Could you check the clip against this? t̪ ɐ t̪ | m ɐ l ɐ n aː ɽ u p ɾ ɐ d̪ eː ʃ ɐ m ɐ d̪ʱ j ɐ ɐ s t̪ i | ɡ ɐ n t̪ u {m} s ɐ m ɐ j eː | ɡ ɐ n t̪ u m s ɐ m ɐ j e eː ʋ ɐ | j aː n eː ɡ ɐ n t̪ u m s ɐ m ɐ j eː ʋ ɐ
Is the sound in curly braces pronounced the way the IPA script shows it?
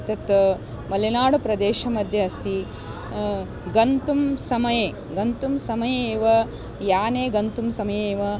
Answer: yes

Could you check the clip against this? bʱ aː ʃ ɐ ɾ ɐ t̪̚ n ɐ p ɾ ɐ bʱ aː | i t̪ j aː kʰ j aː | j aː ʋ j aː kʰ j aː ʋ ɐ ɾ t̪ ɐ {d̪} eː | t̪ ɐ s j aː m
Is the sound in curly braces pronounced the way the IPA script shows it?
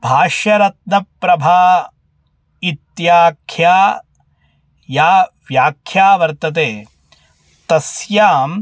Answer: no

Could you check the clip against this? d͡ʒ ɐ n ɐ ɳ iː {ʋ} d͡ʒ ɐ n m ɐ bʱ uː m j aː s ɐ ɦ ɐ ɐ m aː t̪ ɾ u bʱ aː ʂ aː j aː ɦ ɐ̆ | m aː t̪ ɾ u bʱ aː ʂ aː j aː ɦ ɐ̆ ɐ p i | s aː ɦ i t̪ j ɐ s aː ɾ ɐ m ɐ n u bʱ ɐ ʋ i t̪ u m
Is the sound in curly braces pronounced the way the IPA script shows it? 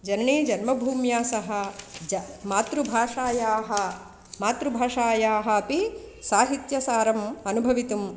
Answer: no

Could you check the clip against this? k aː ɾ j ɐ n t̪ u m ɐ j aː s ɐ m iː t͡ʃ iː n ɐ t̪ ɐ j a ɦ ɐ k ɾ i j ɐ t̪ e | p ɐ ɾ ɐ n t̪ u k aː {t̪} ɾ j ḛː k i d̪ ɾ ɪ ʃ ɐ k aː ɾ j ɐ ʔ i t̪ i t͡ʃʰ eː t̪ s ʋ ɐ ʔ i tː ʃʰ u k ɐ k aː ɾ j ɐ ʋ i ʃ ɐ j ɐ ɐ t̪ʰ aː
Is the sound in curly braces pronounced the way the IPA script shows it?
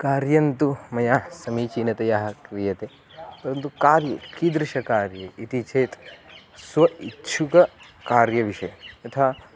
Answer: no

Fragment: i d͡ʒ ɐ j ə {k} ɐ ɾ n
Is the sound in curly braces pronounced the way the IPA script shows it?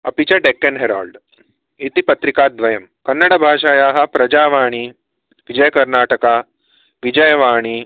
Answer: yes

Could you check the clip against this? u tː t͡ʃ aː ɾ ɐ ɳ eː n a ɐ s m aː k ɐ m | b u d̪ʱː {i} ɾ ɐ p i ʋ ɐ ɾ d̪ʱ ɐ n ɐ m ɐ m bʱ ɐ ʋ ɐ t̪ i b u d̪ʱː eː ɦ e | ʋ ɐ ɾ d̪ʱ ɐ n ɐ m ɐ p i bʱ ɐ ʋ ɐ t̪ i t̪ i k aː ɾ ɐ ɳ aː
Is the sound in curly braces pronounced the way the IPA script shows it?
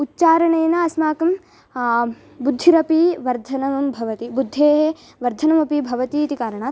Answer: yes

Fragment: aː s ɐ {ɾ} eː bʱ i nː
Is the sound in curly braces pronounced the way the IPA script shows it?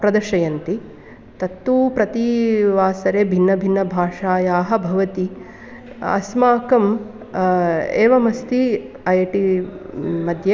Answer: yes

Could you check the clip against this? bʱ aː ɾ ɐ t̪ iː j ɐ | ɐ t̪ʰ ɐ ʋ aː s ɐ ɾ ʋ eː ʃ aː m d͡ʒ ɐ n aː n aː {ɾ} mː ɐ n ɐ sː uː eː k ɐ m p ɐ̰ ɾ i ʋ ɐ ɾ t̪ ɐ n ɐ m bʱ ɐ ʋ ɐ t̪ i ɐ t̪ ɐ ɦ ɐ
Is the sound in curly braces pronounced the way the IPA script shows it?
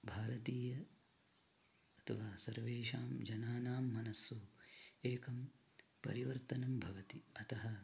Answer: no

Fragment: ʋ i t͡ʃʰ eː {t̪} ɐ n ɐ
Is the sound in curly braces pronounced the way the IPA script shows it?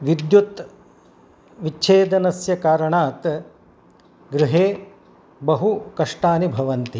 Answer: no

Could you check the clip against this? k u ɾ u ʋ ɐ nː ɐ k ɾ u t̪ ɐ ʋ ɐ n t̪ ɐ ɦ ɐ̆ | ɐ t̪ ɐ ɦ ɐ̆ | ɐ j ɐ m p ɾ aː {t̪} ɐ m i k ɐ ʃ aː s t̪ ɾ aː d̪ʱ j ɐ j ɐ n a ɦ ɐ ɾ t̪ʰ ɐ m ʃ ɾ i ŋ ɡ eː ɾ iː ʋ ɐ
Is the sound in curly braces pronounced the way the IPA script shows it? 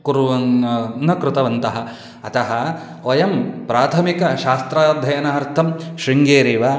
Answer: no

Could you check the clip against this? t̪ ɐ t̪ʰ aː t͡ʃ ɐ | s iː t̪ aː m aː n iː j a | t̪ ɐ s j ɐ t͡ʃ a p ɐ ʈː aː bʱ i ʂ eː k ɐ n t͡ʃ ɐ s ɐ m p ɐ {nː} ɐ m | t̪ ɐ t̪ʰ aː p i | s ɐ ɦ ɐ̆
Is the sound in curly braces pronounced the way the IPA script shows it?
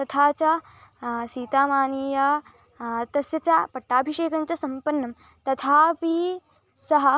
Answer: yes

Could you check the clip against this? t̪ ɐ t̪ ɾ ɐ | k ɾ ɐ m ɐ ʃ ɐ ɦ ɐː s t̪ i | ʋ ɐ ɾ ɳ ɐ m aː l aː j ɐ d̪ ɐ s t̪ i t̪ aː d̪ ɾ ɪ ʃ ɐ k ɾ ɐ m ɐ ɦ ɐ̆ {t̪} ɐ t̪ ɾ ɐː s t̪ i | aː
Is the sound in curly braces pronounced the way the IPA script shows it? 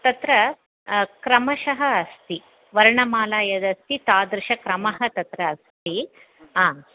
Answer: yes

